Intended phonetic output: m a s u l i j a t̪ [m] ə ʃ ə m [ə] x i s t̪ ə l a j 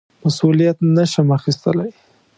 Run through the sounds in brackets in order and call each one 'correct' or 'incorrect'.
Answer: incorrect: n, incorrect: a

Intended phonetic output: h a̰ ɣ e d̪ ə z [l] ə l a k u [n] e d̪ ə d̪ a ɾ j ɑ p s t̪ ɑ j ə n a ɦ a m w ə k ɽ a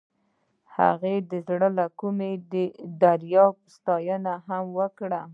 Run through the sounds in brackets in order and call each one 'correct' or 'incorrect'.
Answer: incorrect: ɽ, incorrect: m

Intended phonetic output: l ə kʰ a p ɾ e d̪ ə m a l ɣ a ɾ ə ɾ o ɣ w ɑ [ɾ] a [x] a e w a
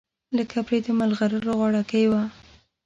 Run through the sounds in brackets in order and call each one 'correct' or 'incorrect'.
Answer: incorrect: ɽ, incorrect: k

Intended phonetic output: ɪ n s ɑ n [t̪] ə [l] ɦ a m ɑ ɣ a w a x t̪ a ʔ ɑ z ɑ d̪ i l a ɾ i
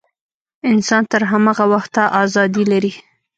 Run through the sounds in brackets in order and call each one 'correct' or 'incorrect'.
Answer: correct, incorrect: ɾ

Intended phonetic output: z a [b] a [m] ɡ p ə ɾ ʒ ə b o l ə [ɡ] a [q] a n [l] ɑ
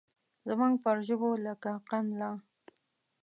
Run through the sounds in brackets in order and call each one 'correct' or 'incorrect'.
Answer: incorrect: m, incorrect: ŋ, incorrect: k, correct, correct

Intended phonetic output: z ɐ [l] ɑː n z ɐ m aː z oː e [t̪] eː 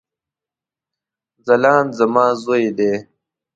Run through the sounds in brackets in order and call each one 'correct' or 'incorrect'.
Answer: correct, incorrect: d̪

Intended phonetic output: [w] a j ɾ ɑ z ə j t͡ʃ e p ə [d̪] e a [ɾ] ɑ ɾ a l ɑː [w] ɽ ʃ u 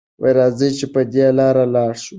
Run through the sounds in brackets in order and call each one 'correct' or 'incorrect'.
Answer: correct, correct, incorrect: l, incorrect: none

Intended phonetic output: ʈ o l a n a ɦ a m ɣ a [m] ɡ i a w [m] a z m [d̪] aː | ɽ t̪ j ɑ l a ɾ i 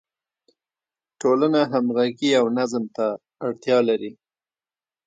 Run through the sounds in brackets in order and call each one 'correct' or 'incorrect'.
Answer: incorrect: none, incorrect: n, incorrect: t̪

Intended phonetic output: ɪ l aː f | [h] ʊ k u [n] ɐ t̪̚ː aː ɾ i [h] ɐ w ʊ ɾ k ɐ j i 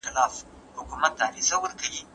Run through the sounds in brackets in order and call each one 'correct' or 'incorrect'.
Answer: correct, incorrect: m, incorrect: s

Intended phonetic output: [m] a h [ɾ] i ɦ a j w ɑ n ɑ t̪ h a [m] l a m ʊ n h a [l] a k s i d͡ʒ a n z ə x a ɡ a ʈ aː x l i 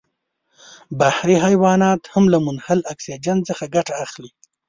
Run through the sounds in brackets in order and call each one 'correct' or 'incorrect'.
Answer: incorrect: b, correct, correct, correct

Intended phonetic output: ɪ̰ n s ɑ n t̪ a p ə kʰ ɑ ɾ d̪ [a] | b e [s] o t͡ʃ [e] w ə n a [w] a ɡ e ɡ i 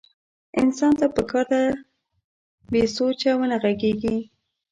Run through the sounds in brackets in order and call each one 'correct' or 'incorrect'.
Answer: correct, correct, incorrect: a, incorrect: ɣ

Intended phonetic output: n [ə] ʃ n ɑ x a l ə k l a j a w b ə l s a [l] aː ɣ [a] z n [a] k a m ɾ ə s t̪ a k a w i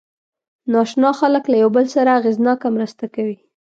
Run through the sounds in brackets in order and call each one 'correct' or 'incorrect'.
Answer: incorrect: ɑ, incorrect: ɾ, incorrect: e, incorrect: ɑ

